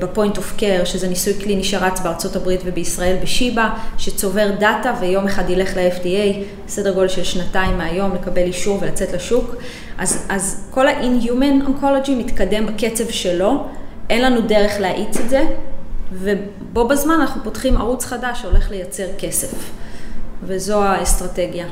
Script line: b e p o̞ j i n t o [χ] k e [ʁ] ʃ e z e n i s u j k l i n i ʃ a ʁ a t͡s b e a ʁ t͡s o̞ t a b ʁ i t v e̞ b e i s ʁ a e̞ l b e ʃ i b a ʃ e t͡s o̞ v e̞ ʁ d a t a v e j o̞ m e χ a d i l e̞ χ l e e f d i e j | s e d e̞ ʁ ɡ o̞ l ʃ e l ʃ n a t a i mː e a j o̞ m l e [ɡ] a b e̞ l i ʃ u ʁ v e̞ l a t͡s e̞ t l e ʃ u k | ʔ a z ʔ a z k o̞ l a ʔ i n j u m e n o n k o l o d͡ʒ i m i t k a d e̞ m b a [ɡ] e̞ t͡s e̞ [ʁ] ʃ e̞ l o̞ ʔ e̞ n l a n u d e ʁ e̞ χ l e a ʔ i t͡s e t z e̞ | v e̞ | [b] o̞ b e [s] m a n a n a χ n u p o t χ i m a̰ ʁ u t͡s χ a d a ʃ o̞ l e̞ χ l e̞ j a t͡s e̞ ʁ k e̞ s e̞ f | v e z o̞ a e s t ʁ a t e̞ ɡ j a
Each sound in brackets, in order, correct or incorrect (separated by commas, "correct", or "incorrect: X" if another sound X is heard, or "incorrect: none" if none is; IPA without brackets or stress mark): incorrect: f, correct, incorrect: k, incorrect: k, incorrect: v, correct, incorrect: z